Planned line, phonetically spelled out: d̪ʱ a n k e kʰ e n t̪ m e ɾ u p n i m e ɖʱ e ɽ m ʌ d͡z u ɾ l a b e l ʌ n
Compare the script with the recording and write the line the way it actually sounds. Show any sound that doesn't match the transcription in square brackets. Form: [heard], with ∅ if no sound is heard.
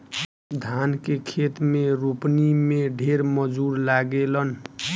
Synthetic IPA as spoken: d̪ʱ a n k e kʰ e [∅] t̪ m e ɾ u p n i m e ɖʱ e [ɾ] m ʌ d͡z u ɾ l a [ɡ] e l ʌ n